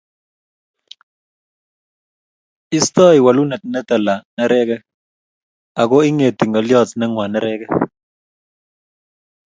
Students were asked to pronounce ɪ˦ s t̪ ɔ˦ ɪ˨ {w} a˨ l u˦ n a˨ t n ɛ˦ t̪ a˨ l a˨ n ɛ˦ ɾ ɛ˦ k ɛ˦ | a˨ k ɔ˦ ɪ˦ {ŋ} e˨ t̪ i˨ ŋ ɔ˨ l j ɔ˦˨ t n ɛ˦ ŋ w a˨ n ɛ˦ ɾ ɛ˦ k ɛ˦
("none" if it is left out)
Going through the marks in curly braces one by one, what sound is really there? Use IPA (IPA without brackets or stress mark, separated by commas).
w, ŋ